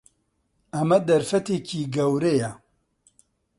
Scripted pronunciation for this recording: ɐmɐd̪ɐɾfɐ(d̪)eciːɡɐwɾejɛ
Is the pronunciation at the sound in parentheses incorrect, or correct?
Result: incorrect: t̪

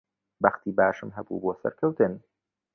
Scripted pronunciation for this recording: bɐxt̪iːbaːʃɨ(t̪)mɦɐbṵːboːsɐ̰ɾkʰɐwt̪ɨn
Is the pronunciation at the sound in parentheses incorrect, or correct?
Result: incorrect: none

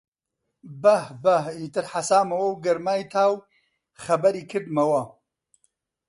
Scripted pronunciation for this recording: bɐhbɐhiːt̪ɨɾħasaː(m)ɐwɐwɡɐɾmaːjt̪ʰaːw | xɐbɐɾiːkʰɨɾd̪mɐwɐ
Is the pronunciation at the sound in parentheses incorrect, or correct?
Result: correct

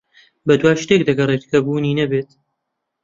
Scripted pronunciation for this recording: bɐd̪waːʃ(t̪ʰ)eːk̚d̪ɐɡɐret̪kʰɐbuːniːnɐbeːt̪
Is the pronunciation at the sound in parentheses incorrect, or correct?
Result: incorrect: t̪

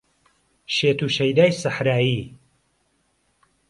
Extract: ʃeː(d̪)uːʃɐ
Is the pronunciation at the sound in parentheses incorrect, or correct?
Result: incorrect: t̪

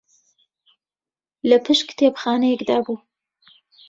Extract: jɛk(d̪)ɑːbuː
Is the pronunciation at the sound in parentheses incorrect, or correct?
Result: correct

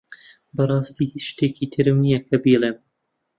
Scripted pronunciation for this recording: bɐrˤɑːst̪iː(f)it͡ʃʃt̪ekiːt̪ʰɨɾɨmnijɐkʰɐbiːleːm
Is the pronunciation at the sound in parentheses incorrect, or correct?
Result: incorrect: h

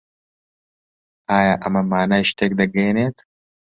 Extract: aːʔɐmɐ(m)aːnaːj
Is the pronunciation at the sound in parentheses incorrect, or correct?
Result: correct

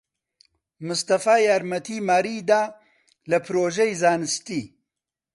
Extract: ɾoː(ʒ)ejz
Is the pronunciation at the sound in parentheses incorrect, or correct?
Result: correct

